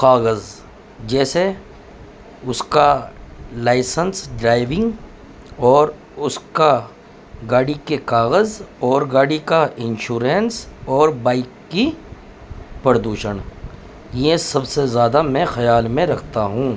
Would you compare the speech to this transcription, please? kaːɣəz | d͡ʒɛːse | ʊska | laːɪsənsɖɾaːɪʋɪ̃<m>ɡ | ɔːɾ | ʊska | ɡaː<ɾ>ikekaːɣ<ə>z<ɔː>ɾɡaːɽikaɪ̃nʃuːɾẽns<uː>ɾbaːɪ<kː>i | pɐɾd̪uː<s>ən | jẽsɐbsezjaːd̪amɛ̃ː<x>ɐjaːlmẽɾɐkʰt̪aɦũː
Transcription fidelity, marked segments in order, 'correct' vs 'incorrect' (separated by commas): incorrect, incorrect, correct, correct, incorrect, correct, incorrect, correct